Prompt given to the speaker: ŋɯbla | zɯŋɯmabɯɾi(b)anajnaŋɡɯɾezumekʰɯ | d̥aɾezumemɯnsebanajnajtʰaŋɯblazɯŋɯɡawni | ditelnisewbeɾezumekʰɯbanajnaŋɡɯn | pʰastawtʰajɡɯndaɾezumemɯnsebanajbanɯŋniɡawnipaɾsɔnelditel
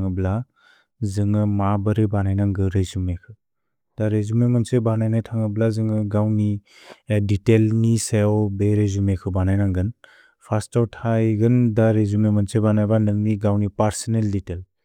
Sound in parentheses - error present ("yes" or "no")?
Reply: no